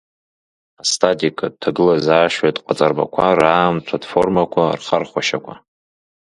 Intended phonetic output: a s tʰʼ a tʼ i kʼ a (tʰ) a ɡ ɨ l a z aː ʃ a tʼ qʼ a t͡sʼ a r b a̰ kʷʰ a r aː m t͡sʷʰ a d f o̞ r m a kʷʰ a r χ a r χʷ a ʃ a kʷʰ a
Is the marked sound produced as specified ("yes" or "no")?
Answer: yes